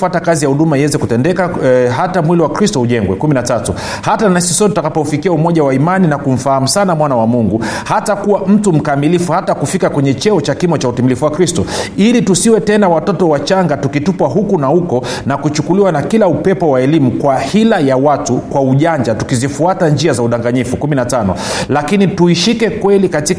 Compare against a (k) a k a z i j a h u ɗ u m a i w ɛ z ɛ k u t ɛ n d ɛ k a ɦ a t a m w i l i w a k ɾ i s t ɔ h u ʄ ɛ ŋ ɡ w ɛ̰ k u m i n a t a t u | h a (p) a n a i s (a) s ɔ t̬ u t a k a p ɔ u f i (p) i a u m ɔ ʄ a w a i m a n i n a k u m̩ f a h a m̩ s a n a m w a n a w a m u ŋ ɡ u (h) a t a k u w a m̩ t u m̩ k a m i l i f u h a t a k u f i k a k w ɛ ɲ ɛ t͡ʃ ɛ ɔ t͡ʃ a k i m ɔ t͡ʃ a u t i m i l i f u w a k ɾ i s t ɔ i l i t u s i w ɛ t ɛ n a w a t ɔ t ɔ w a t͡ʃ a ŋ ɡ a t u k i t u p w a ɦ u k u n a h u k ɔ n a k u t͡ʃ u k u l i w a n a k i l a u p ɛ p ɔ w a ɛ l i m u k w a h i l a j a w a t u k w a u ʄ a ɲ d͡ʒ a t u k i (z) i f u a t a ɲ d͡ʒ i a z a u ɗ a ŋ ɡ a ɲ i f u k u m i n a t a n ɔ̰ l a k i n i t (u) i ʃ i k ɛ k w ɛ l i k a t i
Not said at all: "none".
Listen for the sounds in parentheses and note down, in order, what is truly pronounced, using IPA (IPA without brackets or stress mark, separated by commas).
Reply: t, t, i, k, h, z, u